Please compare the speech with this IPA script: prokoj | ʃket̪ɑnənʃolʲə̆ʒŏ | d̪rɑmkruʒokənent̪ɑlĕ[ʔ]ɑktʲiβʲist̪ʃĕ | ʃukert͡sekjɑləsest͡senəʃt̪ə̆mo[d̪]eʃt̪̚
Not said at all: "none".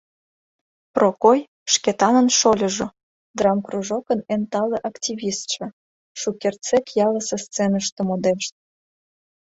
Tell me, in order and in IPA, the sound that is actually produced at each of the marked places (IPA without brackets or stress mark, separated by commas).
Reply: ʔ, d̪